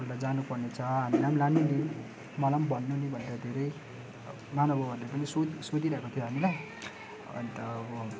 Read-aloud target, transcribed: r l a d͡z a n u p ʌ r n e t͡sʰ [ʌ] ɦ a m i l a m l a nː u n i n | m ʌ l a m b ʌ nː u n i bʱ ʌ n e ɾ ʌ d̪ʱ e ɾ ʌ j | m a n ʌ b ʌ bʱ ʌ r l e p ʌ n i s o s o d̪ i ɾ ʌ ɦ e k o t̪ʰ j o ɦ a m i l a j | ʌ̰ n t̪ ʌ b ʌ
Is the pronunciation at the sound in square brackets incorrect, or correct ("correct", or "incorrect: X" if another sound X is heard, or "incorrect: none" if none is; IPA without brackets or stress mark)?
correct